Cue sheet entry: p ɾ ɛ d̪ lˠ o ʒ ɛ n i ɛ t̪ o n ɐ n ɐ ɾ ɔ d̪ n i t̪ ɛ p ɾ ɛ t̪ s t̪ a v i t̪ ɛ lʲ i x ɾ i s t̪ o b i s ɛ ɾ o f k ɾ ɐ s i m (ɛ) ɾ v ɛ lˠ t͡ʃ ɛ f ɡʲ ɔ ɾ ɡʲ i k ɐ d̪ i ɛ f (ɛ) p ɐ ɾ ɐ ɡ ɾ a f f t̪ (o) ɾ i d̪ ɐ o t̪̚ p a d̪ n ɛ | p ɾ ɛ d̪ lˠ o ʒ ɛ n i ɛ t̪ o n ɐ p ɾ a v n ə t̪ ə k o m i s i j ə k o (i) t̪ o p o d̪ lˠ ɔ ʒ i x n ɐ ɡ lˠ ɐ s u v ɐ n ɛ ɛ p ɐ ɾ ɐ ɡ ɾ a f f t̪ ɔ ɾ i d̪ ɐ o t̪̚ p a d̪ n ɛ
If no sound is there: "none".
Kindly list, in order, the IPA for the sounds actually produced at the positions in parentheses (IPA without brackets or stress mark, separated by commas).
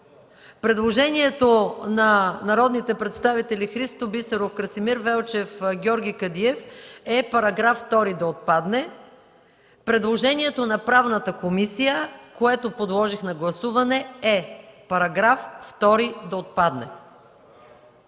i, ɛ, ɔ, ɛ